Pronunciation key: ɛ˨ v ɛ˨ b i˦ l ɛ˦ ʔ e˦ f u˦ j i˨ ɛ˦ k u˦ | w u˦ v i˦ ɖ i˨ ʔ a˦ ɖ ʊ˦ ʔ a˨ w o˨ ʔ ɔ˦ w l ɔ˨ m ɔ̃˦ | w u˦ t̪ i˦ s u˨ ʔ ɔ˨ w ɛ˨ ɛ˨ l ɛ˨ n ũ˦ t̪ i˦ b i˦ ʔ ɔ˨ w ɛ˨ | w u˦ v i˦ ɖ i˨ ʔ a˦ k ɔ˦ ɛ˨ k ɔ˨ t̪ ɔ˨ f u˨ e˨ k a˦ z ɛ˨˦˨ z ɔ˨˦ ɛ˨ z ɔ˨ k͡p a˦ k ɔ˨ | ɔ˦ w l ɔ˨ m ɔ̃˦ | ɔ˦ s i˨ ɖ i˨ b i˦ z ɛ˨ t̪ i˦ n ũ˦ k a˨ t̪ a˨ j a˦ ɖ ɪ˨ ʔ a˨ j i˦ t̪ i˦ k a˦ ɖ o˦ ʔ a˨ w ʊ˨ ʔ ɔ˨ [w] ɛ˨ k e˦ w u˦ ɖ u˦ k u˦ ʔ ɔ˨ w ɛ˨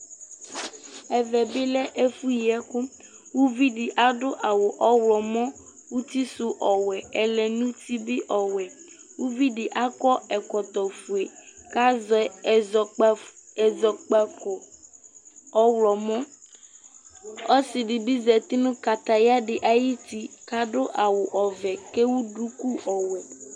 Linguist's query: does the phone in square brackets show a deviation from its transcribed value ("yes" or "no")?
yes